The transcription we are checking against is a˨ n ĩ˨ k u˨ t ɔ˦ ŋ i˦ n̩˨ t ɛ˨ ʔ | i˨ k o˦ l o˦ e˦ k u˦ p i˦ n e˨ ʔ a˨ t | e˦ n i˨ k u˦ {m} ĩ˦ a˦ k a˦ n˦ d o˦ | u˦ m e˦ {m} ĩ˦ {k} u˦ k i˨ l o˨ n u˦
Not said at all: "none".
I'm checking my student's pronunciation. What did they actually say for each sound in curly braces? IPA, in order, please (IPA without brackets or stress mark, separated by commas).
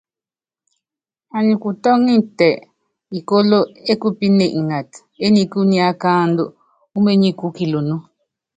n, ɲ, k